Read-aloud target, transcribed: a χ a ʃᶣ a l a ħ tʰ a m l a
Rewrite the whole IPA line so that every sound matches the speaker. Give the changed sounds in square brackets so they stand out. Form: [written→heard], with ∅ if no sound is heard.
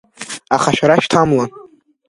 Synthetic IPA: a χ a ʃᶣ a [l→ɾ] a [ħ→ʃ] tʰ a m l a

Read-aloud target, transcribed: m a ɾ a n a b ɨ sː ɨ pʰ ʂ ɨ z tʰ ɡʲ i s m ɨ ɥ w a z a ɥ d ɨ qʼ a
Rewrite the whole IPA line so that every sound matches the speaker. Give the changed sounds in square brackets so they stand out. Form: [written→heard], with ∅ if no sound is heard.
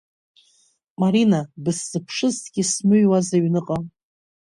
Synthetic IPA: m a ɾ [a→i] n a b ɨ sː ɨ pʰ ʂ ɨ z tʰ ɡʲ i s m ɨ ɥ w a z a ɥ [d→n] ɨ qʼ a

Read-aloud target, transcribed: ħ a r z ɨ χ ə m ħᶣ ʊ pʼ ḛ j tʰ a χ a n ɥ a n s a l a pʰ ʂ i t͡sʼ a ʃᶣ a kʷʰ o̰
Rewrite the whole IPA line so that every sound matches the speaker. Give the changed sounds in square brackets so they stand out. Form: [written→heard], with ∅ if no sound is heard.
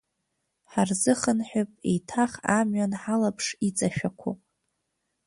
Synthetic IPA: ħ a r z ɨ χ ə [m→n] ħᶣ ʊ pʼ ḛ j tʰ a χ a [n→m] ɥ a n [s→ħ] a l a pʰ ʂ i t͡sʼ a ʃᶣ a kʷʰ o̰

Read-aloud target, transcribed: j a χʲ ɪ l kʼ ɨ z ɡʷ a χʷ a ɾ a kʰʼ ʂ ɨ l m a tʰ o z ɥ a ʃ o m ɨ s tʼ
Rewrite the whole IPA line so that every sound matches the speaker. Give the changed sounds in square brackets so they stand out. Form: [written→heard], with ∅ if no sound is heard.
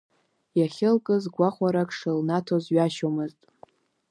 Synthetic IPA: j a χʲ ɪ l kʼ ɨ z ɡʷ a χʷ a ɾ a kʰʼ ʂ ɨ l [m→n] a tʰ o z ɥ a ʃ o m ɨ [s→z] tʼ

